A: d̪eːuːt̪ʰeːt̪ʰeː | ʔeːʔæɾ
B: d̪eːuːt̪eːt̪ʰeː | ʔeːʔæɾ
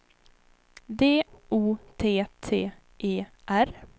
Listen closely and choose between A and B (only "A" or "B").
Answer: A